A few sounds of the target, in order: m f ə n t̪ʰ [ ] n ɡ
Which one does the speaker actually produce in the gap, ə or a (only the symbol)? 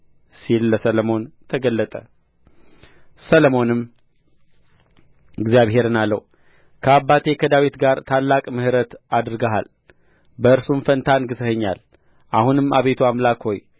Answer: a